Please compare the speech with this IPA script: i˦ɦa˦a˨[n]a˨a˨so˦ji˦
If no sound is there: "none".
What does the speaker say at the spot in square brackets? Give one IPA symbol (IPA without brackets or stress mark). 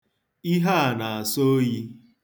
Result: n